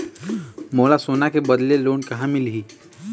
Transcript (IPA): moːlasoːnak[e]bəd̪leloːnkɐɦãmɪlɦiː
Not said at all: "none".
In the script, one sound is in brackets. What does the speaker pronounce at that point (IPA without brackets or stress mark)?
e